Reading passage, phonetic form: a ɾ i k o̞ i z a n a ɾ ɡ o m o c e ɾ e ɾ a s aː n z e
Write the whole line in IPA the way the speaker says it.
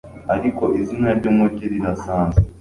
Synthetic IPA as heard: a ɾ i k o̞ i z i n a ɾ ɟ o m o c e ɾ i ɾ a s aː n z e